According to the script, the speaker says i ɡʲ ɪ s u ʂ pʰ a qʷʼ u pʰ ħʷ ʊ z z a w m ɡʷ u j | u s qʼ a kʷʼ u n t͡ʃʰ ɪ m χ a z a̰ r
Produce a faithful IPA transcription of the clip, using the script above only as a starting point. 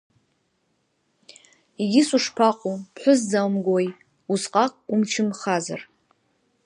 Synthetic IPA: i ɡʲ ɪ s u ʂ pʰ a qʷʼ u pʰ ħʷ ʊ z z a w m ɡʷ o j | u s qʼ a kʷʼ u m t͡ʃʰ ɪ m χ a z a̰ r